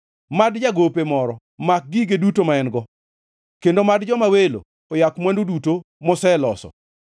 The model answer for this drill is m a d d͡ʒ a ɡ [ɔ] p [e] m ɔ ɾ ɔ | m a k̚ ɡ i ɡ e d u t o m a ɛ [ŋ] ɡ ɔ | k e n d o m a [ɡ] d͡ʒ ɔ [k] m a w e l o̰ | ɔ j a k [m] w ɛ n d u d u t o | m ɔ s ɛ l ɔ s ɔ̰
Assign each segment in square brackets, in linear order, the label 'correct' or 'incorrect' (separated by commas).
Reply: incorrect, correct, incorrect, incorrect, incorrect, correct